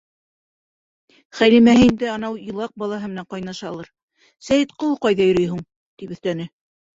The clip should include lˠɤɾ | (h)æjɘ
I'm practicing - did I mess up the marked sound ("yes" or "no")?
yes